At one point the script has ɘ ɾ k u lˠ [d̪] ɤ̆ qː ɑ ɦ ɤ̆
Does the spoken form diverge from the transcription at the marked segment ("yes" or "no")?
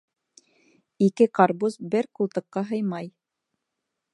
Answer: yes